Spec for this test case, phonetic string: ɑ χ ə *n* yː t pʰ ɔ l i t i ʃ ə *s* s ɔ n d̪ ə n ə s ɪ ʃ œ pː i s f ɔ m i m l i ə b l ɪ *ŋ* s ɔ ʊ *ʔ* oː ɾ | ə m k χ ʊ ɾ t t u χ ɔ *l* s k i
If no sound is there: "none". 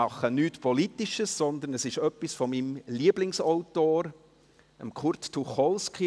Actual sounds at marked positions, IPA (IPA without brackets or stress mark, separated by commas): n, s, ŋ, t, l